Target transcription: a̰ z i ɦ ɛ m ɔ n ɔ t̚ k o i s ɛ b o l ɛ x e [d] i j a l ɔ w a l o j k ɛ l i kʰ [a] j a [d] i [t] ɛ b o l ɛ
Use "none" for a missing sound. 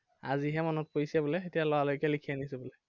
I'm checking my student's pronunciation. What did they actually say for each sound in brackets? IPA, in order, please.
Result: t, i, n, s

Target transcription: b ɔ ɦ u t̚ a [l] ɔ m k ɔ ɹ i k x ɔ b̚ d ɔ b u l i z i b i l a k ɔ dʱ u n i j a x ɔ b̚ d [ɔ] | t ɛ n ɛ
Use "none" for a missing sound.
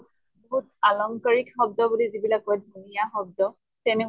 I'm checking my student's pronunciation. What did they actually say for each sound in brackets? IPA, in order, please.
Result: l, ɔ

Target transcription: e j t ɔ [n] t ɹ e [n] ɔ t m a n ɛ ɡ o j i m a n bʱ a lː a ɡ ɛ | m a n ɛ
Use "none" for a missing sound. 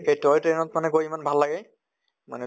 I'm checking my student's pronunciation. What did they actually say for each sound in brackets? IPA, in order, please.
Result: none, n

